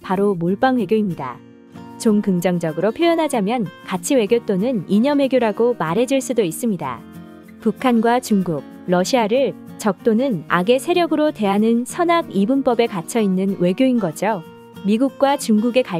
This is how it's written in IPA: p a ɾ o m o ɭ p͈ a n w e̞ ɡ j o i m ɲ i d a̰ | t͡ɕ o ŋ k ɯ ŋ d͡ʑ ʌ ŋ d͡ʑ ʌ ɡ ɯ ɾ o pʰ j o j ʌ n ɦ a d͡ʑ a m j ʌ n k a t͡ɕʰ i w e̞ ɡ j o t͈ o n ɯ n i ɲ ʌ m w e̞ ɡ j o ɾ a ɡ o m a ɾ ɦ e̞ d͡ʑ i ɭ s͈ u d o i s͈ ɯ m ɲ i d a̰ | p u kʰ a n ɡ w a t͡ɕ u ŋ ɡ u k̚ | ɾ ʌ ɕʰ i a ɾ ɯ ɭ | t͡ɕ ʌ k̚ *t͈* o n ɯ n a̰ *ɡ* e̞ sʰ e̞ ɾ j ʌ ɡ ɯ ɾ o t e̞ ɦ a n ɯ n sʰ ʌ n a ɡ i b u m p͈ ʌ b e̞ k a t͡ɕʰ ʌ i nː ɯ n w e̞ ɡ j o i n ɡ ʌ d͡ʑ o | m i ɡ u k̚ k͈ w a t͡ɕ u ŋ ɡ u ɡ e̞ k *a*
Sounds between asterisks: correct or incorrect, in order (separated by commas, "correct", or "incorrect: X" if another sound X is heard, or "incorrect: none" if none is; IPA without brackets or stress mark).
correct, correct, correct